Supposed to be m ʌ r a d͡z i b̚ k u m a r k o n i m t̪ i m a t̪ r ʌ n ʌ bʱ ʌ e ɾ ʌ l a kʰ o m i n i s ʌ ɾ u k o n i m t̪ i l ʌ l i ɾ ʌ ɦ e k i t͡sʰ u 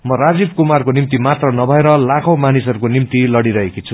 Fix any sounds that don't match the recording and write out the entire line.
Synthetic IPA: m ʌ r a d͡z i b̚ k u m a r k o n i m t̪ i m a t̪ r ʌ n ʌ bʱ ʌ e ɾ ʌ l a kʰ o m a n i s ʌ ɾ u k o n i m t̪ i l ʌ ɽ i ɾ ʌ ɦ e k i t͡sʰ u